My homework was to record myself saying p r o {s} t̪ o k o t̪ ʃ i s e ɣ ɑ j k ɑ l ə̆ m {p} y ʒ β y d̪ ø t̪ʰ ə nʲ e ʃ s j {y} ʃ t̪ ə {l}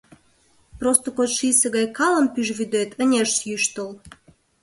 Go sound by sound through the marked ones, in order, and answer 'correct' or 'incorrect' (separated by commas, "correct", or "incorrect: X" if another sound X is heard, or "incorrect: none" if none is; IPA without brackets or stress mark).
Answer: correct, correct, correct, correct